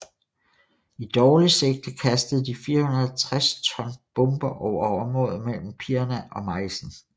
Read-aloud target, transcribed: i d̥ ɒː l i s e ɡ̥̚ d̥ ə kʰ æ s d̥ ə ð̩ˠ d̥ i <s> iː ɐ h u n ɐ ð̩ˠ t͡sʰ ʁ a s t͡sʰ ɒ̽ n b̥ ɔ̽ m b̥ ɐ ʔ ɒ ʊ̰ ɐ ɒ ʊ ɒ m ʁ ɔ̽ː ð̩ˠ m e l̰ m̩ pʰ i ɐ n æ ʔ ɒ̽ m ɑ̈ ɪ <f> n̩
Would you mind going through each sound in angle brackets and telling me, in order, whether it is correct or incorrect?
incorrect, incorrect

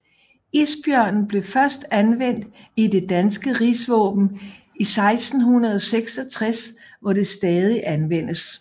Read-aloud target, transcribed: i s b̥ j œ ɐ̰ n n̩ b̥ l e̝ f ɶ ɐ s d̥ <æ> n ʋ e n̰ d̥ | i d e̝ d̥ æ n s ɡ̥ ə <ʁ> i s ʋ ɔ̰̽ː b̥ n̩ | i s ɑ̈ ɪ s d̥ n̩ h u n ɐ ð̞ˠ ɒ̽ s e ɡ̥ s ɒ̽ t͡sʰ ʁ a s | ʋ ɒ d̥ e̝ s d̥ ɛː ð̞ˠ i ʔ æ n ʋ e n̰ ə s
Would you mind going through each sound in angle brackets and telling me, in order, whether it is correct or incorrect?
correct, correct

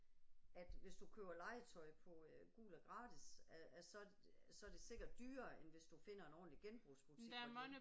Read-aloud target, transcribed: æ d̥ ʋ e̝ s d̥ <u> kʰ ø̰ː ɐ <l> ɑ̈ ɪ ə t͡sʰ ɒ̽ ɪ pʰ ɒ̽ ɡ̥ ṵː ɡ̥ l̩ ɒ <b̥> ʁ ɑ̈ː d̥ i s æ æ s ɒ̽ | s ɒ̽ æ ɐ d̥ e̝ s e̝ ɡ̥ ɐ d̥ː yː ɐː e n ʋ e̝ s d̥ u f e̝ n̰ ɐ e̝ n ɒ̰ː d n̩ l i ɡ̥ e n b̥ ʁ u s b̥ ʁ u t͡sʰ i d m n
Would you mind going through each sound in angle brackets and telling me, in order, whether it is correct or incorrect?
correct, correct, incorrect

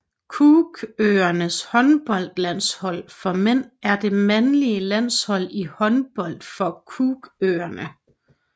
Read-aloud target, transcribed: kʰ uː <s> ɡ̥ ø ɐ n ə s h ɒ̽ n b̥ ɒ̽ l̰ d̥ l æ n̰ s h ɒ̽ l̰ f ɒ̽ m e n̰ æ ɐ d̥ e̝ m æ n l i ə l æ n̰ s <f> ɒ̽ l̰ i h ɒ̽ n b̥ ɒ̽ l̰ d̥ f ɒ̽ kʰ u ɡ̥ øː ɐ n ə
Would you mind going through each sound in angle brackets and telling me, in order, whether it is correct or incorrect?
incorrect, incorrect

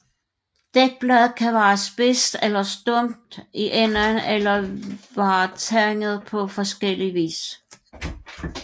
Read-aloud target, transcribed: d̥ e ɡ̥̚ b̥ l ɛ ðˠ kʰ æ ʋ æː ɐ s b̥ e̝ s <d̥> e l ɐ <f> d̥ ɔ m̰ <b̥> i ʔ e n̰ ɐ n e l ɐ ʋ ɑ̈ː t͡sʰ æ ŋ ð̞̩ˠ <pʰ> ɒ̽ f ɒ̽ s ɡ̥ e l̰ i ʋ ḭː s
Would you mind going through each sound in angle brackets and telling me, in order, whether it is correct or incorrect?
correct, incorrect, incorrect, correct

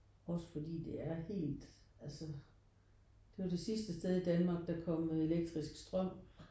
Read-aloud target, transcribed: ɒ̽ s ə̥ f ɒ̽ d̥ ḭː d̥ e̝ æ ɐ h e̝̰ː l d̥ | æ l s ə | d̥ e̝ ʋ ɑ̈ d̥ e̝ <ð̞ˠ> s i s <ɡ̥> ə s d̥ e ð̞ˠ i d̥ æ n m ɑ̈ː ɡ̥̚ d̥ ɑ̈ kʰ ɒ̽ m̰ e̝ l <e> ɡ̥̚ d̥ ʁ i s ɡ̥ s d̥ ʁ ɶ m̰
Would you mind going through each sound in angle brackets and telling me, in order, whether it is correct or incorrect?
incorrect, incorrect, correct

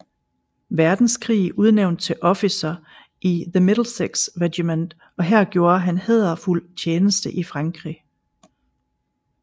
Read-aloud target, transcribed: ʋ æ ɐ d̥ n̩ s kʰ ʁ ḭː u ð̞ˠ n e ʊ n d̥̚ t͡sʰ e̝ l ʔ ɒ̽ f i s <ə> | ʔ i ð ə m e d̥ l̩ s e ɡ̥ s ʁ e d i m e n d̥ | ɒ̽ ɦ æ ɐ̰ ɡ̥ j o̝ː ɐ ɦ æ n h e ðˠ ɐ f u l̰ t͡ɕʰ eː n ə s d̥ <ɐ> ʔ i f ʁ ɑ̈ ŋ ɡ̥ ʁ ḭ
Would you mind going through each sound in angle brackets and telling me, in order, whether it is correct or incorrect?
incorrect, incorrect

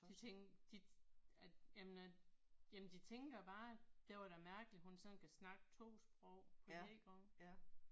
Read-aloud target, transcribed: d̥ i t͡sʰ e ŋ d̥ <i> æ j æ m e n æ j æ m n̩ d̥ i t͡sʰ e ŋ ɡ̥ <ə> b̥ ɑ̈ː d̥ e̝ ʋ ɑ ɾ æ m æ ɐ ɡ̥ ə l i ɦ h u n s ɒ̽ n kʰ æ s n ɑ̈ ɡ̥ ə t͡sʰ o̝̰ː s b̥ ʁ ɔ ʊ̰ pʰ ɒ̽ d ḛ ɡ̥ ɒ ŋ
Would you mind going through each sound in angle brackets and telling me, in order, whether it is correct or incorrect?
correct, incorrect

